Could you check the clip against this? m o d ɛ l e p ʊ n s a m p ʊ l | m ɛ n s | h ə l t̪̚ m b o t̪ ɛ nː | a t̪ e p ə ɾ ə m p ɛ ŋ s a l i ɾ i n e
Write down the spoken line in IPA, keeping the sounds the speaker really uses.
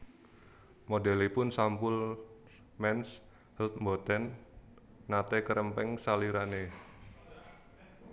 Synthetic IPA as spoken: m o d ɛ l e p ʊ n s a m p ʊ l | m ɛ n s | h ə l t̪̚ m b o t̪ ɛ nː | a t̪ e k ə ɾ ə m p ɛ ŋ s a l i ɾ a n e